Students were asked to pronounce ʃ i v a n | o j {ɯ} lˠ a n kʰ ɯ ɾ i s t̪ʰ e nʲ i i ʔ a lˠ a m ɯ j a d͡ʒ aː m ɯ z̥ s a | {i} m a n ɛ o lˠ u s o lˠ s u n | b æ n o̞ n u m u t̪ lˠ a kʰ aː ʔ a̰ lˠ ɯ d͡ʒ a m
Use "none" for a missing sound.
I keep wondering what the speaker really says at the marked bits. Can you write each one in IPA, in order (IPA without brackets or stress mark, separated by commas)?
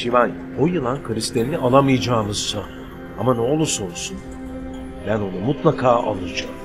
ɯ, a